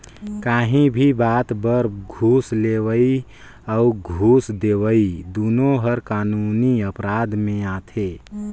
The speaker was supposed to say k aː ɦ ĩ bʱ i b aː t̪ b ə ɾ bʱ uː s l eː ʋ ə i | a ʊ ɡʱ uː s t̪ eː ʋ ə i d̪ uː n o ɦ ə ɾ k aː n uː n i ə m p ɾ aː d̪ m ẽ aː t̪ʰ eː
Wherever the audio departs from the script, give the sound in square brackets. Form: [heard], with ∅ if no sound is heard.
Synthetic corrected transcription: k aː ɦ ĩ bʱ i b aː t̪ b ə ɾ [ɡʱ] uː s l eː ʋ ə i | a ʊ ɡʱ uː s [d̪] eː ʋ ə i d̪ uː n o ɦ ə ɾ k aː n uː n i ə [∅] p ɾ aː d̪ m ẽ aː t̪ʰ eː